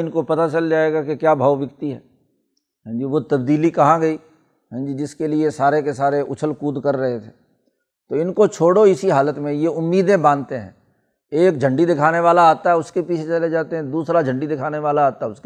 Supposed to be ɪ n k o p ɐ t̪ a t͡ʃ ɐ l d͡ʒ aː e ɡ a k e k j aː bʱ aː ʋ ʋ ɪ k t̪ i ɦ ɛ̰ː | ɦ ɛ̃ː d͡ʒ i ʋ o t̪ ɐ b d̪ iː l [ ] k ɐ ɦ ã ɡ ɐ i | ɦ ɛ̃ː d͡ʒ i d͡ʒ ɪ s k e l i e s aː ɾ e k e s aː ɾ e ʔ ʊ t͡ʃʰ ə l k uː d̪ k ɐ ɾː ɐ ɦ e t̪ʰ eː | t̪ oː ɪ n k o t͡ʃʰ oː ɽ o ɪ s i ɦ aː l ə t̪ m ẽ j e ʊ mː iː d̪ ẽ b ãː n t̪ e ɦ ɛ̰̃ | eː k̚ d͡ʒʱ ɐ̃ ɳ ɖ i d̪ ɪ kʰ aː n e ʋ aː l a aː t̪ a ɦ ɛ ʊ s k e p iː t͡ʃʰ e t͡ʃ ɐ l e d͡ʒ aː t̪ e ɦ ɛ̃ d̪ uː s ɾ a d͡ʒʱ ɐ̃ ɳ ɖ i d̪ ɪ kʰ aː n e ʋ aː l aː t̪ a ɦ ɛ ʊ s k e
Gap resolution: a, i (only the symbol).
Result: i